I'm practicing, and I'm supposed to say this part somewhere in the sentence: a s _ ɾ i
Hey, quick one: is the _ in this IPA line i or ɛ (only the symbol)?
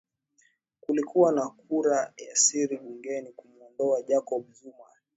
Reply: i